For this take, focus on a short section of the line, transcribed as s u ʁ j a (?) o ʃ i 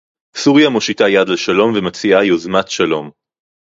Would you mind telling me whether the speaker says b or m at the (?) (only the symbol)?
m